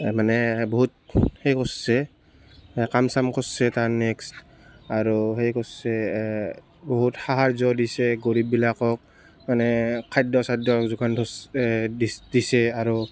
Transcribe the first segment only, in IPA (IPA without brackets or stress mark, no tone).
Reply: m